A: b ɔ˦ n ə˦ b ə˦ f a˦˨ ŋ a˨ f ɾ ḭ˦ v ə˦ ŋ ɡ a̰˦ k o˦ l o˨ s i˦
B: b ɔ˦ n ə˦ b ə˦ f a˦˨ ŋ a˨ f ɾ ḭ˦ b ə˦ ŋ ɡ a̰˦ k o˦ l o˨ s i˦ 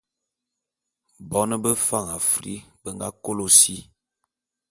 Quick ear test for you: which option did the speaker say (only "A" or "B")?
B